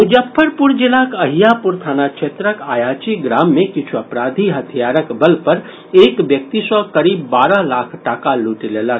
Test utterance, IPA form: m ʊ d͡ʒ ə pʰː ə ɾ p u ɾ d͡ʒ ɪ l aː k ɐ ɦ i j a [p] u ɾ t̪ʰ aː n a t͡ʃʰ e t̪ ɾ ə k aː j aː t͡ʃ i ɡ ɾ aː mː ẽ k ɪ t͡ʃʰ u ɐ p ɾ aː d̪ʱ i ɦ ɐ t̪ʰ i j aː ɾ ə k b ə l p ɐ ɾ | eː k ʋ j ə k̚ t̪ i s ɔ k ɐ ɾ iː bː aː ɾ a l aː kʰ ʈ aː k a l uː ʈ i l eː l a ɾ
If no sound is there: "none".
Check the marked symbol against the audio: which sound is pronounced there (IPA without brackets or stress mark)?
p